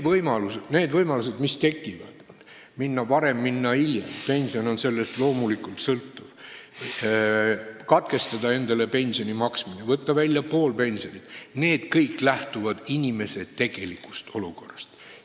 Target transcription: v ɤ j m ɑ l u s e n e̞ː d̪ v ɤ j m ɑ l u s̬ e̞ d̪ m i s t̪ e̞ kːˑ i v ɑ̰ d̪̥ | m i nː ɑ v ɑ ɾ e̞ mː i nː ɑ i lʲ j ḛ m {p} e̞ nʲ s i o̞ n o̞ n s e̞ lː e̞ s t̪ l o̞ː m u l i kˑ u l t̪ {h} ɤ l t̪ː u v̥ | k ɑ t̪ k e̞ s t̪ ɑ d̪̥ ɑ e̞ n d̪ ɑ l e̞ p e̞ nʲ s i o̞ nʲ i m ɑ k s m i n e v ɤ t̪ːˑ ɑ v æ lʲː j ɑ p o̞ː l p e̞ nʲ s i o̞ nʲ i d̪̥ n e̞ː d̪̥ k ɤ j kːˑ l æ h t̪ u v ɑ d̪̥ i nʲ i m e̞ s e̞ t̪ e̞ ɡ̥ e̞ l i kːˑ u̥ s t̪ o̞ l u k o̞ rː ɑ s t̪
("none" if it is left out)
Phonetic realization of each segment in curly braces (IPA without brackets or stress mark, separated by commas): p, s